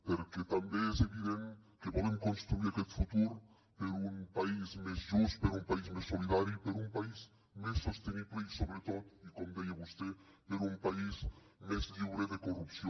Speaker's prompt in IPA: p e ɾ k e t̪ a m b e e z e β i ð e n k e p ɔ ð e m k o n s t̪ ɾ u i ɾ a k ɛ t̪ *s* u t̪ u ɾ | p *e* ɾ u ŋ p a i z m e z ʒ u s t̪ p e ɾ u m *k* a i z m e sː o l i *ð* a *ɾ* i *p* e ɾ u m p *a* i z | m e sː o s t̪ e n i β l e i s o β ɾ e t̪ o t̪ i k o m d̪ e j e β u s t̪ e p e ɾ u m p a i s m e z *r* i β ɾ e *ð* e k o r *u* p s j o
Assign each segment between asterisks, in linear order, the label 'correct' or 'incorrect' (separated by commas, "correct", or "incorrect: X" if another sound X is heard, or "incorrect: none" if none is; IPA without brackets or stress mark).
incorrect: f, correct, incorrect: p, correct, correct, correct, correct, incorrect: ʎ, correct, correct